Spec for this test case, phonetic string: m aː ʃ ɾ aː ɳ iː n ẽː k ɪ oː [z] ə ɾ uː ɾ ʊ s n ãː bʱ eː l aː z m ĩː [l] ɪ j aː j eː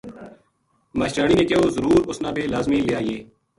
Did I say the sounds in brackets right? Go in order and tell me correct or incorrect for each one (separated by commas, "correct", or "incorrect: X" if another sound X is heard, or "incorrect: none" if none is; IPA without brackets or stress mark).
correct, correct